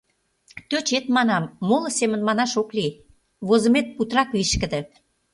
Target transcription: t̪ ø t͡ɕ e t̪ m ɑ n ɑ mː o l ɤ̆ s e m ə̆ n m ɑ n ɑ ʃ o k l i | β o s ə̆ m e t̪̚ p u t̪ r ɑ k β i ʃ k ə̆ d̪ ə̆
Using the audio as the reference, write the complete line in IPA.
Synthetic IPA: t̪ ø t͡ɕ e t̪ m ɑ n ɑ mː o l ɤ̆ s e m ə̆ n m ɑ n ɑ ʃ o k l i | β o z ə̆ m e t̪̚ p u t̪ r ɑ k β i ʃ k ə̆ d̪ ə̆